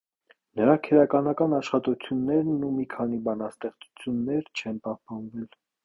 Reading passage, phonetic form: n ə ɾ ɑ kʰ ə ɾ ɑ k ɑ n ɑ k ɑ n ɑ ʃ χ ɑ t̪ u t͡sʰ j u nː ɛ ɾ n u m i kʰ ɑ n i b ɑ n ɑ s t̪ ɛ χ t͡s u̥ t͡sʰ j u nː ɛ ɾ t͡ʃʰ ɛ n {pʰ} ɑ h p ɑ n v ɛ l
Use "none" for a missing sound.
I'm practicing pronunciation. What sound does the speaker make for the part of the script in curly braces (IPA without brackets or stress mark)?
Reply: p